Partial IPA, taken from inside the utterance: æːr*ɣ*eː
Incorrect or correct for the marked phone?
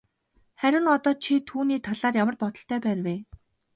incorrect: w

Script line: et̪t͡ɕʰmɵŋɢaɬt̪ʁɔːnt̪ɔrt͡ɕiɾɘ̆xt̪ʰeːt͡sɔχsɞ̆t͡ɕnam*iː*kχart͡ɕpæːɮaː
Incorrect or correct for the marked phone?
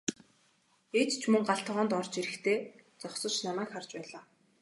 incorrect: æː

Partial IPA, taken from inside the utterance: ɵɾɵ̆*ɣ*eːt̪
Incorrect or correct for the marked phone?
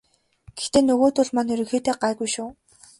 incorrect: x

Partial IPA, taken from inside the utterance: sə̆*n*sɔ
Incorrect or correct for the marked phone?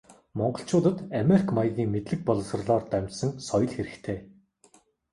incorrect: ŋ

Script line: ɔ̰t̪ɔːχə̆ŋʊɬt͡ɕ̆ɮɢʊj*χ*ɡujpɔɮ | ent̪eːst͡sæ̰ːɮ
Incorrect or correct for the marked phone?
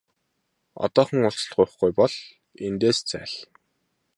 correct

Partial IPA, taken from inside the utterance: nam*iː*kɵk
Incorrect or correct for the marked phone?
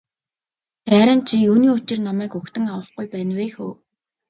incorrect: æː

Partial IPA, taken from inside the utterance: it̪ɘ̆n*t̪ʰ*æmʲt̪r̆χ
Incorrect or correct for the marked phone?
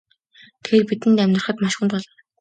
incorrect: t̪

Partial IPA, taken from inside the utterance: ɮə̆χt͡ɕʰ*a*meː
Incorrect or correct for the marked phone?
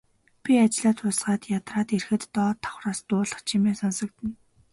incorrect: i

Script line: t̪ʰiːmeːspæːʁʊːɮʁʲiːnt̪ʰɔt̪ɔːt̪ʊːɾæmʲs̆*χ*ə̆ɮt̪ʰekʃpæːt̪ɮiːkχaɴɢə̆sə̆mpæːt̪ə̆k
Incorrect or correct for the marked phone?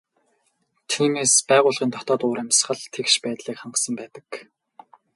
correct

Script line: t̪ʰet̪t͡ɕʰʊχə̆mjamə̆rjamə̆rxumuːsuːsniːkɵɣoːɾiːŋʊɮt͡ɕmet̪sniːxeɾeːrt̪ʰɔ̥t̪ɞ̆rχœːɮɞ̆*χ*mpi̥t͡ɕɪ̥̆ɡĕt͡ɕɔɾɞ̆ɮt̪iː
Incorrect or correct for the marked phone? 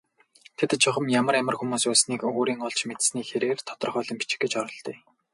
incorrect: none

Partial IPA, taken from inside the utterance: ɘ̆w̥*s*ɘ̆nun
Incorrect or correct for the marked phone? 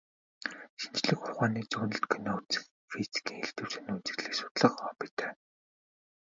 correct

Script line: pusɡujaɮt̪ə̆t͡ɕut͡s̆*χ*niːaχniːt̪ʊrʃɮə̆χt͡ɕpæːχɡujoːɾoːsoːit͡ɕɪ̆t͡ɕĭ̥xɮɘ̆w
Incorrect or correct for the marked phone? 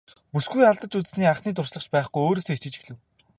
incorrect: s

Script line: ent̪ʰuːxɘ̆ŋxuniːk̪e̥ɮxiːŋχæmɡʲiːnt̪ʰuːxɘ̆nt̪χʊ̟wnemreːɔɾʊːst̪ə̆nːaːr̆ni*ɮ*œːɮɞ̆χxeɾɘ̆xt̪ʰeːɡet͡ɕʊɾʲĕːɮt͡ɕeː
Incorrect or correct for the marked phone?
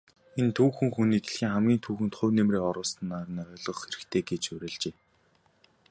incorrect: none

